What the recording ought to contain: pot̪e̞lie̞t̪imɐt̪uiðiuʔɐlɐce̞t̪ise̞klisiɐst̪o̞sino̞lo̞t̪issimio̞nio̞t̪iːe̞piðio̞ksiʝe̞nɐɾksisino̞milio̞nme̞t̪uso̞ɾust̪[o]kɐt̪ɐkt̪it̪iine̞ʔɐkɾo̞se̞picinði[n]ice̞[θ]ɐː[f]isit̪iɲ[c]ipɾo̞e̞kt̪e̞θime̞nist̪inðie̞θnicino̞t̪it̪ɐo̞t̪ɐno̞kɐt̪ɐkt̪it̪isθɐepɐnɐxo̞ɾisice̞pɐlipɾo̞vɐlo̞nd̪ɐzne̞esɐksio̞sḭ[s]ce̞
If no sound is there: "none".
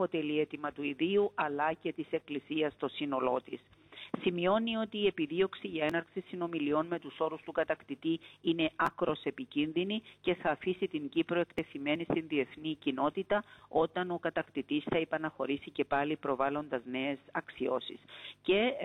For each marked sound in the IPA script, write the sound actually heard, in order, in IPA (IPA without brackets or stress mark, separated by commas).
u, n, θ, f, ɟ, s